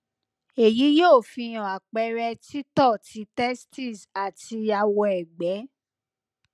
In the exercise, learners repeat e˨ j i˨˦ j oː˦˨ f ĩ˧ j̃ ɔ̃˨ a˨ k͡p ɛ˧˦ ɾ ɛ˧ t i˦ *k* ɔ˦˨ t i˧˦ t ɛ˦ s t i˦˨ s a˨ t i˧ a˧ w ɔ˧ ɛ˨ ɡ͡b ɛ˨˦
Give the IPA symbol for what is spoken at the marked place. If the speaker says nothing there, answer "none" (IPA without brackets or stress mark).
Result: t